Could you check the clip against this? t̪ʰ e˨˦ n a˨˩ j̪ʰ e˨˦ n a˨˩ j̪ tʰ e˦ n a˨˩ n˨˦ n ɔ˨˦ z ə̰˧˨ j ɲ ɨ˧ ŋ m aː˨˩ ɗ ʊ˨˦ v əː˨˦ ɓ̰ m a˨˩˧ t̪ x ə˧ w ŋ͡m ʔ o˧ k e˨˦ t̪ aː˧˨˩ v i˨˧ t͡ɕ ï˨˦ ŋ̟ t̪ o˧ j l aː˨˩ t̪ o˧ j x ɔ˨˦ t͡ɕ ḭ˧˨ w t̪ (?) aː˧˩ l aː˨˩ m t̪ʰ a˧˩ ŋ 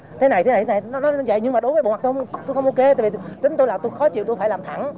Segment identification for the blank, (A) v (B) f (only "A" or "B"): B